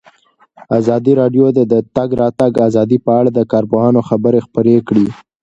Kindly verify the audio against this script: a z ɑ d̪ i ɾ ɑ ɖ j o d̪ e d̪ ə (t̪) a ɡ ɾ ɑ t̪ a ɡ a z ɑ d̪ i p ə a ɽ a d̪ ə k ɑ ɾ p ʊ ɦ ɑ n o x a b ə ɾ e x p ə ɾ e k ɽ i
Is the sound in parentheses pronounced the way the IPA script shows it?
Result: yes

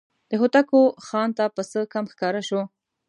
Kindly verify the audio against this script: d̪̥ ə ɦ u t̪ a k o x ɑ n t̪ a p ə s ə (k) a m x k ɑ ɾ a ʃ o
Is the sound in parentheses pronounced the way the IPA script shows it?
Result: yes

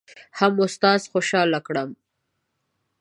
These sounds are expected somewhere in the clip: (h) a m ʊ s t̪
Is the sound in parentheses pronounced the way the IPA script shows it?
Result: yes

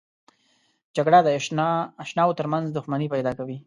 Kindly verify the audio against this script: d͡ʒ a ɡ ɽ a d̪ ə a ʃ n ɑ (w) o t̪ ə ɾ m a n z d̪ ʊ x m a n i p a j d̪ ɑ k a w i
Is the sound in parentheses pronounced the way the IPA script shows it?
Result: yes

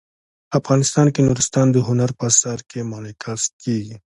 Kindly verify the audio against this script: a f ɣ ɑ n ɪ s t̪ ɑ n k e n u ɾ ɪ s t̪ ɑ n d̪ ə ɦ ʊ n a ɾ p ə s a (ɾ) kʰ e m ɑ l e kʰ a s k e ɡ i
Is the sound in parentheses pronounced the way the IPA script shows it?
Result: yes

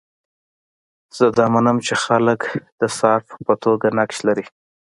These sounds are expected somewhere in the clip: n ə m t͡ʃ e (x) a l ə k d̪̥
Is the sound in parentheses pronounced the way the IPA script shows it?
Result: yes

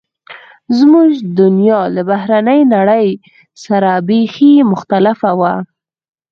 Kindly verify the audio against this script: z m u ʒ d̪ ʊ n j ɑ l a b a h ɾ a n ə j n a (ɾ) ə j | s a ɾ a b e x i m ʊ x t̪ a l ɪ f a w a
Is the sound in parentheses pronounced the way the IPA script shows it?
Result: no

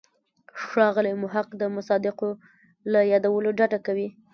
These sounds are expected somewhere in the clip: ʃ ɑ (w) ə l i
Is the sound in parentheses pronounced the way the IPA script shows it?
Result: no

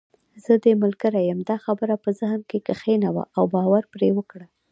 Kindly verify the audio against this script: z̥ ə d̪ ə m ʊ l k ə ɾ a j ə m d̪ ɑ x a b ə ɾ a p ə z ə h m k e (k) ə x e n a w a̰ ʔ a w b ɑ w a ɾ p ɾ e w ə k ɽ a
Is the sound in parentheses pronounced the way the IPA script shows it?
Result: yes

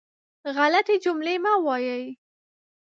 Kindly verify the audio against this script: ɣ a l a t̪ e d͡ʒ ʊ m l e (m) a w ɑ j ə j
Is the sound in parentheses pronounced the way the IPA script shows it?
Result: yes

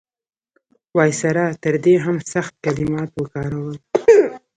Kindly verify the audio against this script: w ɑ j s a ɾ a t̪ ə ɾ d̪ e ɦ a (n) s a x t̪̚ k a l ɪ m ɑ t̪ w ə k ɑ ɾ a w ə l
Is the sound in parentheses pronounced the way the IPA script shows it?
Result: no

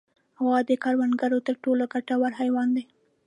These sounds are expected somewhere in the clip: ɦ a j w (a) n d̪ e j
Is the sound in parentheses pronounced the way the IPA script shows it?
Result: no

